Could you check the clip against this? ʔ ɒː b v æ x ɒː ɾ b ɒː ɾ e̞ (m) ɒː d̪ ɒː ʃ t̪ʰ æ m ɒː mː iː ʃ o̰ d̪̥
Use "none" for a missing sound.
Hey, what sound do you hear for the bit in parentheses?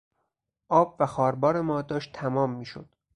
m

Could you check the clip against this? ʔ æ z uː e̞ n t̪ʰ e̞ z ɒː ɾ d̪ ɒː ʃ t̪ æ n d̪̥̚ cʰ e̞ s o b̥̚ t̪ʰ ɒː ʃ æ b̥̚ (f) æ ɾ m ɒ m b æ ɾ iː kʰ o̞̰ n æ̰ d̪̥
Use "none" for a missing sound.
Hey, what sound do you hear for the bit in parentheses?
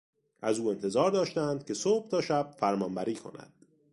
f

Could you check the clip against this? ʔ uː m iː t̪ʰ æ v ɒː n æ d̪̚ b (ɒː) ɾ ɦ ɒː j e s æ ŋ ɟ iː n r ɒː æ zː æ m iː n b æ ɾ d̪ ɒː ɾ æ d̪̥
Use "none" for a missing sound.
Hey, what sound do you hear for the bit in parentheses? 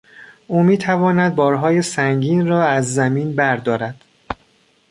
ɒː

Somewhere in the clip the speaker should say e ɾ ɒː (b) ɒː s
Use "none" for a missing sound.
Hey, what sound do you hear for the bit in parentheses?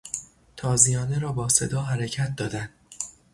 b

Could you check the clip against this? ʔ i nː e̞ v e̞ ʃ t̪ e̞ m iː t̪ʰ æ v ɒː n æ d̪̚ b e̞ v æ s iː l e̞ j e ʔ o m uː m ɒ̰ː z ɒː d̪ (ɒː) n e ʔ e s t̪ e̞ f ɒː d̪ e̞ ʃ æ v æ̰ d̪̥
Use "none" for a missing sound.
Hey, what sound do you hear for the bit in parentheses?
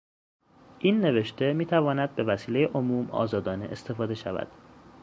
ɒː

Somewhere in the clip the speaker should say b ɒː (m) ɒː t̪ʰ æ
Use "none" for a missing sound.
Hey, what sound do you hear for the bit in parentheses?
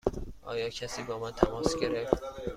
m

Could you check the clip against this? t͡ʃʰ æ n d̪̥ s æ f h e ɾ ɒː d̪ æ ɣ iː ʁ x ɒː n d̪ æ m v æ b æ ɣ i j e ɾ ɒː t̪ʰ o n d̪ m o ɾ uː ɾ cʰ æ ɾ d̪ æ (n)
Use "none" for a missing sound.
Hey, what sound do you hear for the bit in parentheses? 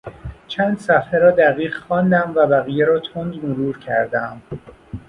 m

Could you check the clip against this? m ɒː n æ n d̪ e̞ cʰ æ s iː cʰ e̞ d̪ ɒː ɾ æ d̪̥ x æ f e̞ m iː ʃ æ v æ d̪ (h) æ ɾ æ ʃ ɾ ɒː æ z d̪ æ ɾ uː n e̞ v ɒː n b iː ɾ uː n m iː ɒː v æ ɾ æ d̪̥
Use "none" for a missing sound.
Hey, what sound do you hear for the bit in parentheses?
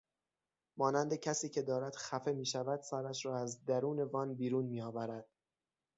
s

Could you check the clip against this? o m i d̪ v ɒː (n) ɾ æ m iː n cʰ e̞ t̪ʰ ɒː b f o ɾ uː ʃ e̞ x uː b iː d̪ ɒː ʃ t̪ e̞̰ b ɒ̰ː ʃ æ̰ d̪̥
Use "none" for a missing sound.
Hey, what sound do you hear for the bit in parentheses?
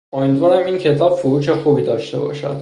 none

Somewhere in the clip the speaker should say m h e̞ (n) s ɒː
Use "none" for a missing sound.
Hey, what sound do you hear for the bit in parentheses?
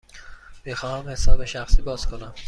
none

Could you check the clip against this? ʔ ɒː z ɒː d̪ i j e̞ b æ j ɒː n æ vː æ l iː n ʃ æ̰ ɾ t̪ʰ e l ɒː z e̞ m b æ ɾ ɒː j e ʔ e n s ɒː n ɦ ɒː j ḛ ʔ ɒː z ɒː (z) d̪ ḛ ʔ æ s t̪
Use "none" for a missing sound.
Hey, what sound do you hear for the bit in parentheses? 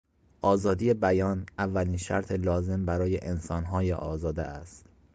none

